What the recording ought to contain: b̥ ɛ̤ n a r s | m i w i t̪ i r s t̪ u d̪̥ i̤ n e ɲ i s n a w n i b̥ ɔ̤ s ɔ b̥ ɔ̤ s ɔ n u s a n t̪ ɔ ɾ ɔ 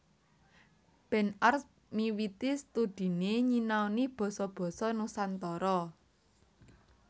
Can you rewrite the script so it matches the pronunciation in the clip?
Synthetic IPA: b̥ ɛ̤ n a r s | m i w i t̪ i s t̪ u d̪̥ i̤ n e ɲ i n a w n i b̥ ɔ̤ s ɔ b̥ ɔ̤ s ɔ n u s a n t̪ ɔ ɾ ɔ